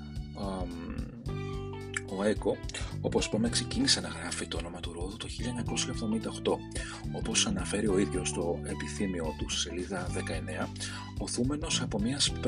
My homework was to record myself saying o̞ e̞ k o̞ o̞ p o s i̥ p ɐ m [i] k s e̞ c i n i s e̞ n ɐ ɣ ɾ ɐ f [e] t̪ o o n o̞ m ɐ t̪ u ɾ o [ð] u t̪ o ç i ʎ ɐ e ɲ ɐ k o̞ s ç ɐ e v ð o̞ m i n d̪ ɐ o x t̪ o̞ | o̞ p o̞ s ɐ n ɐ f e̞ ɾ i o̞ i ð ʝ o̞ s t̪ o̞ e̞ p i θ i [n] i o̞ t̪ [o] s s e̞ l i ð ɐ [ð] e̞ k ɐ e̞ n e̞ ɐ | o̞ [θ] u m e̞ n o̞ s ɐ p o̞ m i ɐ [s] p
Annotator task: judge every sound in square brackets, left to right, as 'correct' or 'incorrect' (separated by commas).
incorrect, incorrect, correct, incorrect, incorrect, correct, correct, correct